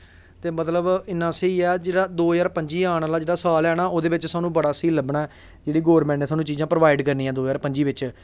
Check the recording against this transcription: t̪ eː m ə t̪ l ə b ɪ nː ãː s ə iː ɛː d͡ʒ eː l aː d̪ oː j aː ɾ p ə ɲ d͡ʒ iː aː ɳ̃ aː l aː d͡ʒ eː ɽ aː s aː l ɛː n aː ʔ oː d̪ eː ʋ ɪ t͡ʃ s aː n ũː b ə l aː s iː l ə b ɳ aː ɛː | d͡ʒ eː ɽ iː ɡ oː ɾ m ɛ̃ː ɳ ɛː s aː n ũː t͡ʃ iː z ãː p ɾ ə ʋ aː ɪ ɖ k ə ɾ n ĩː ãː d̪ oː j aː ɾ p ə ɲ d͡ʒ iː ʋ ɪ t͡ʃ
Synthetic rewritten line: t̪ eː m ə t̪ l ə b ɪ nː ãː s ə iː ɛː d͡ʒ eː ɽ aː d̪ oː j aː ɾ p ə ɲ d͡ʒ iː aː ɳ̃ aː l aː d͡ʒ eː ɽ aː s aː l ɛː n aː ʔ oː d̪ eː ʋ ɪ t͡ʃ s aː n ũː b ə ɽ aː s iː l ə b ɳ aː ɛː | d͡ʒ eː ɽ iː ɡ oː ɾ m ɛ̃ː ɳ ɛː s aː n ũː t͡ʃ iː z ãː p ɾ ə ʋ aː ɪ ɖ k ə ɾ n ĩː ãː d̪ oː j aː ɾ p ə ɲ d͡ʒ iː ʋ ɪ t͡ʃ